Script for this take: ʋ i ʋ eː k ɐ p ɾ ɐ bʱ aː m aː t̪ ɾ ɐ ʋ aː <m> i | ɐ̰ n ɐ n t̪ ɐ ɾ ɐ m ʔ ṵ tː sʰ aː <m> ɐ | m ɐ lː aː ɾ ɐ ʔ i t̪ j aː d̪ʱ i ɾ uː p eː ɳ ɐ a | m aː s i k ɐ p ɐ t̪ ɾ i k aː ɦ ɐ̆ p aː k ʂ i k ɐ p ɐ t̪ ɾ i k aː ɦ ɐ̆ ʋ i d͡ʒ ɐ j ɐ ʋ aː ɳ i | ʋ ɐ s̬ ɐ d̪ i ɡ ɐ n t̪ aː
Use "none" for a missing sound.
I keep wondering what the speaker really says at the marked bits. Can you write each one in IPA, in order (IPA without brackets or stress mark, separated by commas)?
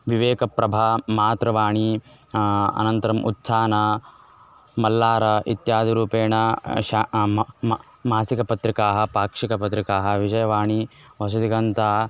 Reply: ɳ, n